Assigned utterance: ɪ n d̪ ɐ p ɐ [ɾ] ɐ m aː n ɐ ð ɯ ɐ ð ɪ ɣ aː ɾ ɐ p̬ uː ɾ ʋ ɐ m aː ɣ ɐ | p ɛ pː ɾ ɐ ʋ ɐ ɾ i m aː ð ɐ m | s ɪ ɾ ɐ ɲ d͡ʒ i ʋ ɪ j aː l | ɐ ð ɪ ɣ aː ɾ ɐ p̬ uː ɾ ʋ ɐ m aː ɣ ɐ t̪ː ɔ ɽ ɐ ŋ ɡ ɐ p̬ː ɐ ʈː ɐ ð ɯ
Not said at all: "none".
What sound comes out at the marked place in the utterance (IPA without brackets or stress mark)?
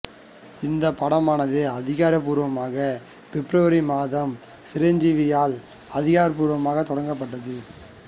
ɽ